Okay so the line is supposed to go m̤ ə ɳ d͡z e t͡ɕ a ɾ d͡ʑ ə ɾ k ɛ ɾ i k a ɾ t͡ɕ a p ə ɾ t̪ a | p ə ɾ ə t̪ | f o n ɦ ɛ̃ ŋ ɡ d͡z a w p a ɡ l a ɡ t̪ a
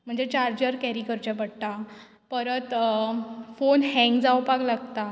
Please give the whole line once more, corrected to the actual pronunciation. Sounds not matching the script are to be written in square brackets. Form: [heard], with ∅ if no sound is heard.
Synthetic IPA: m̤ ə ɳ d͡z e t͡ɕ a ɾ d͡ʑ ə ɾ k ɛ ɾ i k [ə] ɾ t͡ɕ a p ə [ɽ] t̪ a | p ə ɾ ə t̪ | f o n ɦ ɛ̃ ŋ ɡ d͡z a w p a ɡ l a ɡ t̪ a

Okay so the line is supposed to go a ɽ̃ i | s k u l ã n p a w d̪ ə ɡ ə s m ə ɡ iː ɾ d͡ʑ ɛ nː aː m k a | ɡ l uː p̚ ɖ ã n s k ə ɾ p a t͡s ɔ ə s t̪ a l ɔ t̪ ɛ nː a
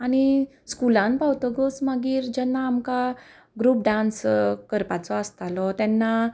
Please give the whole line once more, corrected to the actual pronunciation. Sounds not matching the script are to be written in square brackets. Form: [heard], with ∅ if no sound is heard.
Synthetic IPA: a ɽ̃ i | s k u l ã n p a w [t̪] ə ɡ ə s m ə ɡ iː ɾ d͡ʑ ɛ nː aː m k a | ɡ [ɾ] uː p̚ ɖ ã n s k ə ɾ p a t͡s ɔ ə s t̪ a l ɔ t̪ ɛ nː a

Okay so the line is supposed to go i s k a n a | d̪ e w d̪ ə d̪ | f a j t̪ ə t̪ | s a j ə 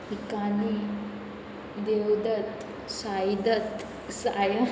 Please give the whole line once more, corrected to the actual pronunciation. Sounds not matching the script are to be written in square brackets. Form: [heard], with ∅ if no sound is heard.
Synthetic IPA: i [∅] k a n [i] | d̪ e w d̪ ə [t̪] | [s] a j [d̪] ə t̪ | s a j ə

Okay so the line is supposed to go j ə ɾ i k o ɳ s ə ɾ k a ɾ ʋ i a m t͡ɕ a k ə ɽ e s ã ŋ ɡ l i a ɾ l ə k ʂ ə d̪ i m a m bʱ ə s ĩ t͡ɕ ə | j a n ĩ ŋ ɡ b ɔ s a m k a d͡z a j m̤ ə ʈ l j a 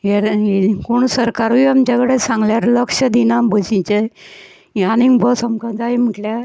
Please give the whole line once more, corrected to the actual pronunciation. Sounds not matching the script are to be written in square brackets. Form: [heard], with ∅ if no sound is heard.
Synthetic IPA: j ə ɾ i k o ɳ s ə ɾ k a ɾ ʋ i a m t͡ɕ a k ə ɽ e s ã ŋ ɡ l [j] a ɾ l ə k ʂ ə d̪ i [n] a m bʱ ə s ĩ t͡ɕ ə | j a n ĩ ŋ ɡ b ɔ s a m k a d͡z a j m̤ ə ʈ l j a

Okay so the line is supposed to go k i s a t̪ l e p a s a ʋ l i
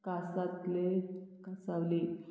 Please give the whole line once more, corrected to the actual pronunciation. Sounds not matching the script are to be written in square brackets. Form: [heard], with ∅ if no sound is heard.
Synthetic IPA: k [a] s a t̪ l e [k] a s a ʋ l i

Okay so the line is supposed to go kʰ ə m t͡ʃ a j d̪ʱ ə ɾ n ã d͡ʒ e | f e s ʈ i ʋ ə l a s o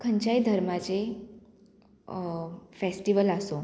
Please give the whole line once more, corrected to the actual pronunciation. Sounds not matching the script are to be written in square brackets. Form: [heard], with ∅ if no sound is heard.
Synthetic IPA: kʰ ə [ɲ] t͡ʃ a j d̪ʱ ə ɾ [m] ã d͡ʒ e | f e s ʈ i ʋ ə l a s o

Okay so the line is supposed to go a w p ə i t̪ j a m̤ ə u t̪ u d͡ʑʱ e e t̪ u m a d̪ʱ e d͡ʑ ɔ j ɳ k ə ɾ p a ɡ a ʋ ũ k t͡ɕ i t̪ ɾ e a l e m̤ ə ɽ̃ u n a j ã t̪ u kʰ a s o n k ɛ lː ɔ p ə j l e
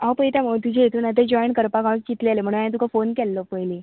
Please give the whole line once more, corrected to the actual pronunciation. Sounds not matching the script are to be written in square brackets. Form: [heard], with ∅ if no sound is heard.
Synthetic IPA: a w p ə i t̪ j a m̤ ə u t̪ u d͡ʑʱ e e t̪ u [n] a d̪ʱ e d͡ʑ ɔ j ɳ k ə ɾ p a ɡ a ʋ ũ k t͡ɕ i t̪ [l] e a l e m̤ ə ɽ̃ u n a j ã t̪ u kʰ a [f] o n k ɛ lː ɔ p ə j l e

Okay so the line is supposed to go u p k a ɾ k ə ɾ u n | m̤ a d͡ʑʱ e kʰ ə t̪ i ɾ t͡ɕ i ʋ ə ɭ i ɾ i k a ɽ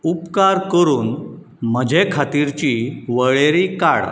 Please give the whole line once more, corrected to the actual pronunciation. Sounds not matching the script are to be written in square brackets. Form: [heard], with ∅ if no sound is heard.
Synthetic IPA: u p k a ɾ k ə ɾ [uː] n | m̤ [ə] d͡ʑʱ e kʰ [a] t̪ i ɾ t͡ɕ i ʋ ə ɭ [e] ɾ i k a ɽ

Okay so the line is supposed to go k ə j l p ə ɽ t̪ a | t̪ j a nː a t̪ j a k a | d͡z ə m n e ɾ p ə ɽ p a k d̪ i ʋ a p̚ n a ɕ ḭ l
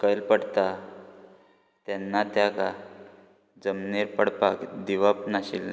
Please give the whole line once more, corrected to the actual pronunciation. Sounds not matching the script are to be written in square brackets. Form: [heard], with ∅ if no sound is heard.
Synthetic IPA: k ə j l p ə ɽ t̪ a | t̪ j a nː a t̪ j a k a | d͡z ə m n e ɾ p ə ɽ p a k d̪ i ʋ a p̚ n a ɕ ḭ l

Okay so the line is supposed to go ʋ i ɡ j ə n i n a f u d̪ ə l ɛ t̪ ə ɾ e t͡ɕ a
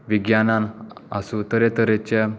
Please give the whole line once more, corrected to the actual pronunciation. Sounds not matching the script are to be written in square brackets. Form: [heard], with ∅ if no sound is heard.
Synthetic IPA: ʋ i ɡ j [a] n [a] n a [s] u [t̪] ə [ɾ] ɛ t̪ ə ɾ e t͡ɕ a

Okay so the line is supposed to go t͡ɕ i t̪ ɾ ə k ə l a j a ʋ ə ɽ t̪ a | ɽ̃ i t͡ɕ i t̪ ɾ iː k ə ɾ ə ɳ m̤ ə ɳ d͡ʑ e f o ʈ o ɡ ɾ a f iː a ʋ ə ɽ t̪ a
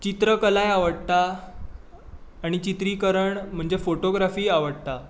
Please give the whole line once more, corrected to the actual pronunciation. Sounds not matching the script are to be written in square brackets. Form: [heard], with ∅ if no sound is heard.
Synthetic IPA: t͡ɕ i t̪ ɾ ə k ə l a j a ʋ ə ɽ t̪ a | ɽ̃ i t͡ɕ i t̪ ɾ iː k ə ɾ ə ɳ m̤ ə ɳ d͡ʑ e f o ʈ o ɡ ɾ a f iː a ʋ ə ɽ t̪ a

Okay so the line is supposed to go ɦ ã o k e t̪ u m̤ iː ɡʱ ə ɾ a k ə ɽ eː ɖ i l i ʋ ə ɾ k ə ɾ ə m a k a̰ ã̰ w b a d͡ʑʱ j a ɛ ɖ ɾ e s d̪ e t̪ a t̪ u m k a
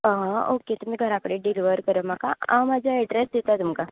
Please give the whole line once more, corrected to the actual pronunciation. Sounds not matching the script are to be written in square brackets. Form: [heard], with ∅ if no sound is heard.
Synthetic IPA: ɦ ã o k e t̪ u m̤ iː ɡʱ ə ɾ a k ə ɽ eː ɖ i l i ʋ ə ɾ k ə ɾ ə m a k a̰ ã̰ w [m] a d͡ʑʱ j a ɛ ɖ ɾ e s d̪ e t̪ a t̪ u m k a

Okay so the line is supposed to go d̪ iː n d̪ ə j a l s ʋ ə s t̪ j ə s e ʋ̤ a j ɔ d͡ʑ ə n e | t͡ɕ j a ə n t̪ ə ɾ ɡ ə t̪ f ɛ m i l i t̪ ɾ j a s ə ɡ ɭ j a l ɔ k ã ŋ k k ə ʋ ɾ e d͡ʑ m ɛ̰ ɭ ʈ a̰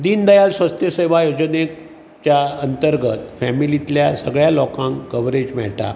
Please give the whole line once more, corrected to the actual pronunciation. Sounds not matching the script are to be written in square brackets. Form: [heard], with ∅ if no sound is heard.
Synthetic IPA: d̪ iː n d̪ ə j a l s ʋ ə s t̪ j ə s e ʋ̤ a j [o] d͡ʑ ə n e | t͡ɕ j a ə n t̪ ə ɾ ɡ ə t̪ f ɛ m i l i t̪ [l] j a s ə ɡ ɭ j a l ɔ k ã ŋ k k ə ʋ ɾ e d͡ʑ m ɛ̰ ɭ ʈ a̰

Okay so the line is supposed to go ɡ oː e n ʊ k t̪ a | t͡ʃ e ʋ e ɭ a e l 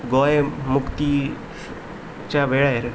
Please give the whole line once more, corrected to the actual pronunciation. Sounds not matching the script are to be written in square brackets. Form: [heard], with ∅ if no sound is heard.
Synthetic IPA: ɡ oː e [m] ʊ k t̪ [i] | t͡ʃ [a] ʋ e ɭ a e [ɾ]

